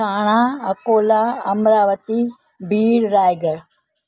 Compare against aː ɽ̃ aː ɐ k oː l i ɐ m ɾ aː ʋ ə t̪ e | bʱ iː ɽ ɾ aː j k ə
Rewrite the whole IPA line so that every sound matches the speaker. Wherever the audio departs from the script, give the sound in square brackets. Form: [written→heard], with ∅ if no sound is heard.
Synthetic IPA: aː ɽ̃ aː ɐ k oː l [i→a] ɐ m ɾ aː ʋ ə t̪ [e→i] | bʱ iː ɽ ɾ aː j [k→ɡ] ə